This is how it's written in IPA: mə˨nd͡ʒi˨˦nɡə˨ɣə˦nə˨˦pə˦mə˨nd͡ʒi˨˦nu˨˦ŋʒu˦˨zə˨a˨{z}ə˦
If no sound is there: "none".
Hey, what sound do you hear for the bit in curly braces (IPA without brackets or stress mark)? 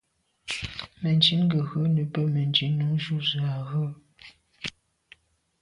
ɣ